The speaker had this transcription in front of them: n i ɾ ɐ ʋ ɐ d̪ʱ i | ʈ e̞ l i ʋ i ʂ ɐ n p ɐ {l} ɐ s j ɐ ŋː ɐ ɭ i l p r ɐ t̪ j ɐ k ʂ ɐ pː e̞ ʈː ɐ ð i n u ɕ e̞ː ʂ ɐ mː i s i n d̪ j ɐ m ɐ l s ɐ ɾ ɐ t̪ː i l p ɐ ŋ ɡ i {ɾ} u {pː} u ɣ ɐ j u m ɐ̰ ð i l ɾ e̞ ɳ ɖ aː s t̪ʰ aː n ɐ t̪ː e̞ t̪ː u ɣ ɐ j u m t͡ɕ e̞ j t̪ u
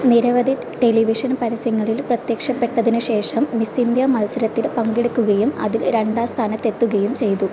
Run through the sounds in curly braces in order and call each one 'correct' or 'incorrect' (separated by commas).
incorrect, incorrect, incorrect